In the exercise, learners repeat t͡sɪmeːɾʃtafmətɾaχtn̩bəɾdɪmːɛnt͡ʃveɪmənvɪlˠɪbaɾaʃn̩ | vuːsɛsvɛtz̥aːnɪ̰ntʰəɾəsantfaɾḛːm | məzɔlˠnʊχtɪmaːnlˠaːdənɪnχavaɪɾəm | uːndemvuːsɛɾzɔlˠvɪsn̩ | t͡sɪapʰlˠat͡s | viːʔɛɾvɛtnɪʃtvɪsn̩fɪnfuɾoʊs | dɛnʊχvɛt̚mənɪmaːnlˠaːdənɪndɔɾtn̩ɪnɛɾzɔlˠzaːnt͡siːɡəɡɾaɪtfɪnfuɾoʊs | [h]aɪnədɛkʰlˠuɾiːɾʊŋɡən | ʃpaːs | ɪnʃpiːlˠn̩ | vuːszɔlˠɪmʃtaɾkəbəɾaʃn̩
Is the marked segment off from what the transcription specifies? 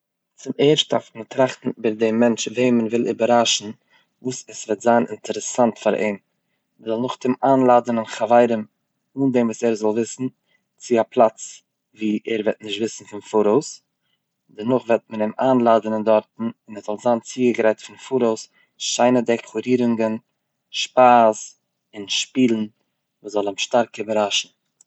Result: yes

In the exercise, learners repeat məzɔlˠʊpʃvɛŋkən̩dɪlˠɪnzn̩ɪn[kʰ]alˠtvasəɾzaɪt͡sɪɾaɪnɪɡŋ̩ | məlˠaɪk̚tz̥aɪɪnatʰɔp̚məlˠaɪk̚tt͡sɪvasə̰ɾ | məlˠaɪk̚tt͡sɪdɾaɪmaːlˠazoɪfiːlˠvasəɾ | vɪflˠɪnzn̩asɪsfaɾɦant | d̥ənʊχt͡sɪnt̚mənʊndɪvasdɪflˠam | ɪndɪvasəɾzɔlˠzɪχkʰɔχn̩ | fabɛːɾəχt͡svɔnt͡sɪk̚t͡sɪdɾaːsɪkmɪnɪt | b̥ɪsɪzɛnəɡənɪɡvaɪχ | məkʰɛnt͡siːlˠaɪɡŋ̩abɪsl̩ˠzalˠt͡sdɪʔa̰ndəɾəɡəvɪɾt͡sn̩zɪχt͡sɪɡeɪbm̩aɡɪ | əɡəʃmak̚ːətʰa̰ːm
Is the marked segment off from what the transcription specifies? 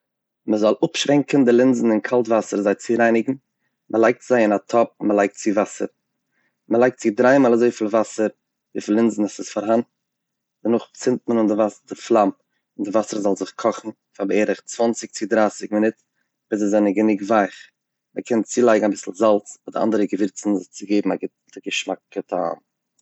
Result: no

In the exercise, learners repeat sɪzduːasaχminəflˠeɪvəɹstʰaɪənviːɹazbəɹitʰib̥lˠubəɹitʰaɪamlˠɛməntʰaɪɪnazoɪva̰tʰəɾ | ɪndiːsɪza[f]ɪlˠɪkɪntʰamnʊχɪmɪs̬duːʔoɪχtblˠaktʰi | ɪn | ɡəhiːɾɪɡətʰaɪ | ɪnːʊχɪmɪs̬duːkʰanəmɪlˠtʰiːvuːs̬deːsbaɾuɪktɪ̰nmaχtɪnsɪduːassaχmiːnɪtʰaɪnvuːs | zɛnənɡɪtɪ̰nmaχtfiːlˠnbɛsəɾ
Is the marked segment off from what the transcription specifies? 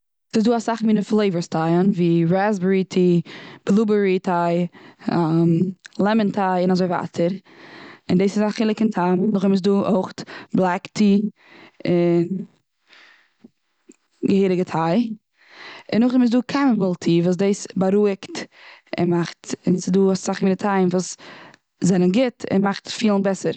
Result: yes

